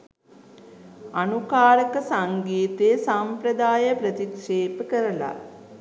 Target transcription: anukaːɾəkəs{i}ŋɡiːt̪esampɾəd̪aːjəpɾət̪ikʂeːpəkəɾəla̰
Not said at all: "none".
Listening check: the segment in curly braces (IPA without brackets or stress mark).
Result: a